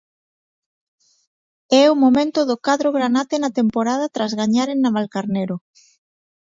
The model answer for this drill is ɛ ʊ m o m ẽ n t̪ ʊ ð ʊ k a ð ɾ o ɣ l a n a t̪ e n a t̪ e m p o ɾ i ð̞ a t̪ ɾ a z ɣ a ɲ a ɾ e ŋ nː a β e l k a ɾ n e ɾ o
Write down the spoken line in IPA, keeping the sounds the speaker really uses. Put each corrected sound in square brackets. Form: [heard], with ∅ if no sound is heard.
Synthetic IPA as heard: ɛ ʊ m o m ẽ n t̪ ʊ ð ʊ k a ð ɾ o ɣ [ɾ] a n a t̪ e n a t̪ e m p o ɾ [a] ð̞ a t̪ ɾ a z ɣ a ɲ a ɾ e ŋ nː a β [a] l k a ɾ n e ɾ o